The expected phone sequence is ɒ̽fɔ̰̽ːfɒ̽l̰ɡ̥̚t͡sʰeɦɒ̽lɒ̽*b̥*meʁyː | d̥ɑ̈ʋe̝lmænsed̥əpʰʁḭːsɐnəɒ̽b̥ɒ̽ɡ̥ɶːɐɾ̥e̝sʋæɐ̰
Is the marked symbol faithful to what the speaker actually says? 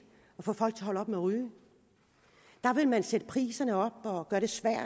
yes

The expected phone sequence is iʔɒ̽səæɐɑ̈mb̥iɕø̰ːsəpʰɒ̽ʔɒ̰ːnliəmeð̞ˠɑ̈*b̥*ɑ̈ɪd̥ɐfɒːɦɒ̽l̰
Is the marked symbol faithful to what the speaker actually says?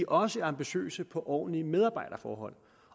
yes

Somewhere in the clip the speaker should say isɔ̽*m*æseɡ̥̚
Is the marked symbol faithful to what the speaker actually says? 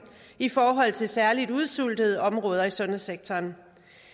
no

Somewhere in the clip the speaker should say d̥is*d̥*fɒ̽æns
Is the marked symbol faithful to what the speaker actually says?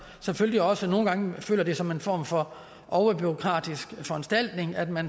no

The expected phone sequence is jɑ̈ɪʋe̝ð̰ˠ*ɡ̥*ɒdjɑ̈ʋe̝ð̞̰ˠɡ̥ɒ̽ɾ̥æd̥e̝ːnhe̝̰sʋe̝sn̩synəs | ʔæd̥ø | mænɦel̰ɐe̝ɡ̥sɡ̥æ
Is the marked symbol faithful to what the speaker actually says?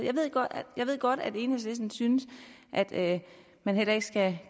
yes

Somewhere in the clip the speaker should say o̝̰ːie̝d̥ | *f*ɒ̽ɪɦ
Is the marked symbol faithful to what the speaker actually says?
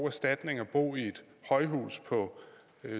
no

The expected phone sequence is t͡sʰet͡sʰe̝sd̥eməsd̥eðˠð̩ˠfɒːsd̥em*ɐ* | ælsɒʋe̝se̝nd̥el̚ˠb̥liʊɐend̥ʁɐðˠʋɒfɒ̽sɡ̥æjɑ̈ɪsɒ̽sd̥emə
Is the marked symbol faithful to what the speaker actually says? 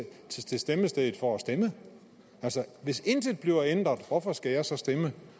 no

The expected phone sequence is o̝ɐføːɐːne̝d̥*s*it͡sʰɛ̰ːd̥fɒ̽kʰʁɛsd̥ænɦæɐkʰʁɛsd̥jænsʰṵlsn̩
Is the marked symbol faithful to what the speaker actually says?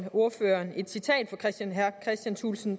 yes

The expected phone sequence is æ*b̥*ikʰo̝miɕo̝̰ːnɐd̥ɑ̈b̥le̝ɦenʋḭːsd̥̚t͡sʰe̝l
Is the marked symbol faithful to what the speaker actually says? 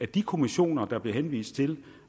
no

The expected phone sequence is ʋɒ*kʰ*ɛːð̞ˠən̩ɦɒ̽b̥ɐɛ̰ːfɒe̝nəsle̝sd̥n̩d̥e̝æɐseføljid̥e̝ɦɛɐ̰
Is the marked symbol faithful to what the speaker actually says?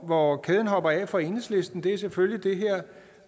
yes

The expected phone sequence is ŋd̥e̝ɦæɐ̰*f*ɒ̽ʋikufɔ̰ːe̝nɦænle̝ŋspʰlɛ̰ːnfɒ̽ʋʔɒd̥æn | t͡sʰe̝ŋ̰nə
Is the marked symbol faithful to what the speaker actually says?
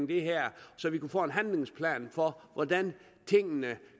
no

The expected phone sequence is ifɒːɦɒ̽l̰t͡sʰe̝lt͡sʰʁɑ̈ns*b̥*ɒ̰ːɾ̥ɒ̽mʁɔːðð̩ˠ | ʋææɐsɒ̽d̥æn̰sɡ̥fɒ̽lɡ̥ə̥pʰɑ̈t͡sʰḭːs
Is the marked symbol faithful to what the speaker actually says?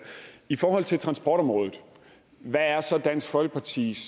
yes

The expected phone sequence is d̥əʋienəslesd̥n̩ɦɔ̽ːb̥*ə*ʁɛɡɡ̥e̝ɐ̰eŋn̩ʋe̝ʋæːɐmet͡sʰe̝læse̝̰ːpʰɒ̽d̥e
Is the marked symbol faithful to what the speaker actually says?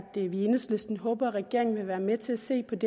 no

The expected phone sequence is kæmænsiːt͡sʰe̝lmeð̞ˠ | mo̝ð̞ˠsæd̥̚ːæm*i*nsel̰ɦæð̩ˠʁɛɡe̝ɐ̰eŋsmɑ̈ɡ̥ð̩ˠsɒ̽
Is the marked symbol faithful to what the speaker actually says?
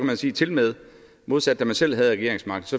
no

